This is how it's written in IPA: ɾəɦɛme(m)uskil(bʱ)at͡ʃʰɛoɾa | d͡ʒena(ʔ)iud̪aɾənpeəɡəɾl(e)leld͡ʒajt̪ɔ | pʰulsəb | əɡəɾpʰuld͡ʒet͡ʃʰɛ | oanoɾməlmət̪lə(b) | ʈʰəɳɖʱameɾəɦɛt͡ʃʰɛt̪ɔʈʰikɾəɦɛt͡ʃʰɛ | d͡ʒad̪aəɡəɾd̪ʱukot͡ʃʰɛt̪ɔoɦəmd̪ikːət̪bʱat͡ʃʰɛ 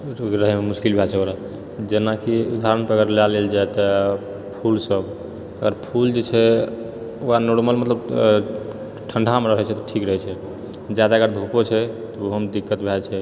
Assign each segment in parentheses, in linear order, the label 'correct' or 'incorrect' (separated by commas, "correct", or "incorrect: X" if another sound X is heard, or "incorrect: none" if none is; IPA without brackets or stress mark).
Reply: correct, correct, incorrect: k, incorrect: a, correct